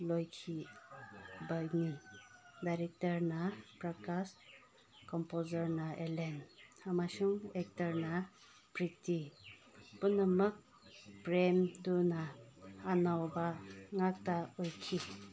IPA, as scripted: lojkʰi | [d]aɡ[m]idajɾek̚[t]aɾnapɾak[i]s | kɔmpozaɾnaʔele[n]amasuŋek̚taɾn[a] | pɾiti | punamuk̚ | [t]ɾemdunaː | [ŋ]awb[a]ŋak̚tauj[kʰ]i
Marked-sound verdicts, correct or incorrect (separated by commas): incorrect, incorrect, correct, incorrect, correct, correct, incorrect, incorrect, correct, correct